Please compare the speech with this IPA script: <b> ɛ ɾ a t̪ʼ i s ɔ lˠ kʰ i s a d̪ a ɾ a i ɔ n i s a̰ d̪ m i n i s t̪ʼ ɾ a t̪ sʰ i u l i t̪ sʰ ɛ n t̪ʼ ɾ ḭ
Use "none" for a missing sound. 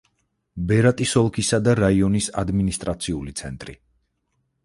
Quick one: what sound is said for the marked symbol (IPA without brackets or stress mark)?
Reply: b